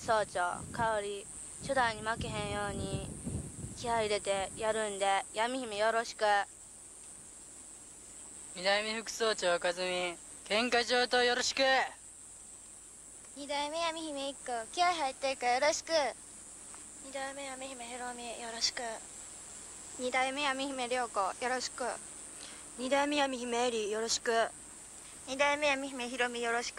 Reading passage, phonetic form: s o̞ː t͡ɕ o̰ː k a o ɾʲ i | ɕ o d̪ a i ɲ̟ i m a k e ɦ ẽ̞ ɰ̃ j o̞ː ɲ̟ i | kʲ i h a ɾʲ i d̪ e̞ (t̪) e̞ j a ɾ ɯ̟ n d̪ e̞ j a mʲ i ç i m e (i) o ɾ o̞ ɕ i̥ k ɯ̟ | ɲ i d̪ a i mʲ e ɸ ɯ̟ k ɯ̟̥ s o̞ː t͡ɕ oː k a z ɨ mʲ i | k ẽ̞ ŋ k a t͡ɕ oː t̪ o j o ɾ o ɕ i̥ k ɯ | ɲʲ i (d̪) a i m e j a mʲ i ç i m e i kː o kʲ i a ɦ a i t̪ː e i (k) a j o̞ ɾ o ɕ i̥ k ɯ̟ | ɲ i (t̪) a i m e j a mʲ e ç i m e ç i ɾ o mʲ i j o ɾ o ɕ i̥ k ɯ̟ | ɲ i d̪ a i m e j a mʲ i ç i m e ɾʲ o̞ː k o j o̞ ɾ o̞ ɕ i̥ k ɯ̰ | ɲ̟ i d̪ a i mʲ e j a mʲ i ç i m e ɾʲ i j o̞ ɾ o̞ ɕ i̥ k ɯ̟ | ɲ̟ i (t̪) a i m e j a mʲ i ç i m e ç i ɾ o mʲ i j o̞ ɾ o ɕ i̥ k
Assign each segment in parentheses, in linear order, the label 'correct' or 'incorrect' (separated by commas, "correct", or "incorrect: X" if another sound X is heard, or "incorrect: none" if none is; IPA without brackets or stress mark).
correct, incorrect: j, correct, correct, incorrect: d̪, incorrect: d̪